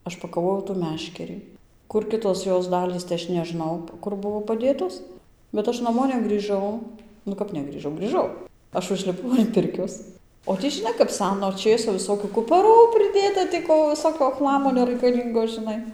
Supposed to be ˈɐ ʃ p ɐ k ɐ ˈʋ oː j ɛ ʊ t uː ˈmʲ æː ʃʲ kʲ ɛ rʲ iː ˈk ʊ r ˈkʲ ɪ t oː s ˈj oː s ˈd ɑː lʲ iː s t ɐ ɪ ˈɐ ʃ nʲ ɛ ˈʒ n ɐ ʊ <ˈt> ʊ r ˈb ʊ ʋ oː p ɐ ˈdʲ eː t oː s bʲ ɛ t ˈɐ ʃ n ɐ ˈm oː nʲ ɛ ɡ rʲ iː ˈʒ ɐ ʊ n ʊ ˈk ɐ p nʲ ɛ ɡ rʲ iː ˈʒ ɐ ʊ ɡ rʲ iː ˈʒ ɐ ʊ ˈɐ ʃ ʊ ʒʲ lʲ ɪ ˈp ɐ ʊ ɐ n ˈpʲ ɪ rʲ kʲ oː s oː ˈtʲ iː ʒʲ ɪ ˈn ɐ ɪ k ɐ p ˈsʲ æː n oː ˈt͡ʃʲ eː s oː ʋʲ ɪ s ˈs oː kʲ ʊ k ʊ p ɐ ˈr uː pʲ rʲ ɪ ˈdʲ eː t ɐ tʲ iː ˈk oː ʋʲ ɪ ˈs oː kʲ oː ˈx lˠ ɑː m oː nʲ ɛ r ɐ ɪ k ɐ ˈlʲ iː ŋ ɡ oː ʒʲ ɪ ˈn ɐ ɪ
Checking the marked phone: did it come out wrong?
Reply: yes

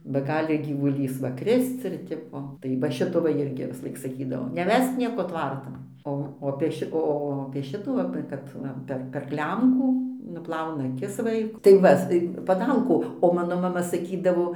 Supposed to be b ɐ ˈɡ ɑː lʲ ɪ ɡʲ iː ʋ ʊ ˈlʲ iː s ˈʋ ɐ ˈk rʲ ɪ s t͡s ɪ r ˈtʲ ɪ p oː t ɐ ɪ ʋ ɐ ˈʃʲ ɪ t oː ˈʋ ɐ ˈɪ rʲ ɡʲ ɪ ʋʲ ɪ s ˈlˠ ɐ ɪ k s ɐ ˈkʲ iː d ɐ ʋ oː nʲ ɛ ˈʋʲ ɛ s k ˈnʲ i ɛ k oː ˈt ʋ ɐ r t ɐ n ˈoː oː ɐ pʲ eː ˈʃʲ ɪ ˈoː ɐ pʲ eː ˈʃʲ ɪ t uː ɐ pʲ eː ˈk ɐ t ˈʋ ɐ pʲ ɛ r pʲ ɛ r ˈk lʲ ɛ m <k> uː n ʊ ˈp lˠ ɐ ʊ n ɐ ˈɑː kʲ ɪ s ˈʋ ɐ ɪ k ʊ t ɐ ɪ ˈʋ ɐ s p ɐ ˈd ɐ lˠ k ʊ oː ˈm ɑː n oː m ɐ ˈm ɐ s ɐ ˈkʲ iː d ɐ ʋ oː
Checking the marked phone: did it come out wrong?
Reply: no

